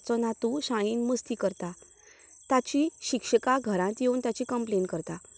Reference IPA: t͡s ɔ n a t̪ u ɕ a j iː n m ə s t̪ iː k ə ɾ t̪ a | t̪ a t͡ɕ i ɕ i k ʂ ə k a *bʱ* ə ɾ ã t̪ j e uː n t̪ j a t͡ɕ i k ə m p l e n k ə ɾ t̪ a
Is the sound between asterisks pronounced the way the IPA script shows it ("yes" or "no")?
no